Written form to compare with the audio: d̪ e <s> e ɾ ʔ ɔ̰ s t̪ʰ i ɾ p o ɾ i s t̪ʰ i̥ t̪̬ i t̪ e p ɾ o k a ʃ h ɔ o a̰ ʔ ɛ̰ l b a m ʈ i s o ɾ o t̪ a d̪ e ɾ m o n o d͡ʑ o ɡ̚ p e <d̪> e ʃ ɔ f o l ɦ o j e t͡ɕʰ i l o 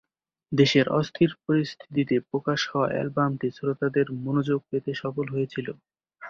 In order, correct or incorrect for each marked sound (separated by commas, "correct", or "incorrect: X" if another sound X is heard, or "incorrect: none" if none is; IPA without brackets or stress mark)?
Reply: incorrect: ʃ, incorrect: t̪